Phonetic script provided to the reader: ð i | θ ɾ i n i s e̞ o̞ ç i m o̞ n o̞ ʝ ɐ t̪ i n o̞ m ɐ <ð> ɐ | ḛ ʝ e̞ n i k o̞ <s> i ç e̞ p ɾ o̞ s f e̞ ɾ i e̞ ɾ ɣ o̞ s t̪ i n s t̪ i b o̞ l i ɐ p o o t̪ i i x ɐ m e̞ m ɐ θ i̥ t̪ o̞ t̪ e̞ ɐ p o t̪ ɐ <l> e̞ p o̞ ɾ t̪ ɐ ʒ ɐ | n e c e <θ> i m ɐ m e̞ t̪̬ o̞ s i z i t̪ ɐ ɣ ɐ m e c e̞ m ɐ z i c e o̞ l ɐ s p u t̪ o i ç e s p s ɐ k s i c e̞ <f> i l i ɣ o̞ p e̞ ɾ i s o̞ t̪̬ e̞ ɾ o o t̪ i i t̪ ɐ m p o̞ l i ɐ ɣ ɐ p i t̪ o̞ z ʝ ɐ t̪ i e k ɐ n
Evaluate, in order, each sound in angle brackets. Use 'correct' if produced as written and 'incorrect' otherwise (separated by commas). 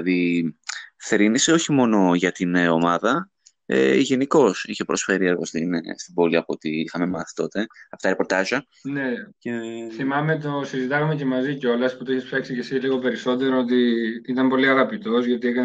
correct, correct, incorrect, correct, incorrect